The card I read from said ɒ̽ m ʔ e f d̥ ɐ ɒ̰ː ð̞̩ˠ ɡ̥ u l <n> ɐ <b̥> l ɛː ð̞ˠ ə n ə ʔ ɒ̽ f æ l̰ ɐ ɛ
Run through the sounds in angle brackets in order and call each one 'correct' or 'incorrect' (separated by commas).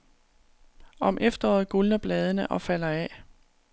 correct, correct